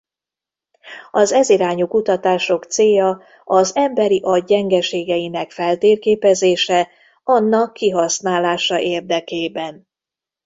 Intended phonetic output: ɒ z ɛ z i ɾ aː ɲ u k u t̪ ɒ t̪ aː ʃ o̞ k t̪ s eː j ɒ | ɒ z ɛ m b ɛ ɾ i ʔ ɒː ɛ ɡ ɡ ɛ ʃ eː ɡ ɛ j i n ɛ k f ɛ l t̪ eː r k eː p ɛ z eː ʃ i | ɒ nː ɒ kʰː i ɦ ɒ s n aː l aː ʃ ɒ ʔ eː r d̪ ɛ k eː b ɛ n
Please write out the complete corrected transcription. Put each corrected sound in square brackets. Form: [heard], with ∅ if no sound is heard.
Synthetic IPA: ɒ z ɛ z i ɾ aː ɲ u k u t̪ ɒ t̪ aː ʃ o̞ k t̪ s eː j ɒ | ɒ z ɛ m b ɛ ɾ i ʔ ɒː ɛ [ŋ] ɡ ɛ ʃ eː ɡ ɛ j i n ɛ k f ɛ l t̪ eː r k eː p ɛ z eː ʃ [ɛ] | ɒ nː ɒ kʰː i ɦ ɒ s n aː l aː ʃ ɒ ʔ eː r d̪ ɛ k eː b ɛ n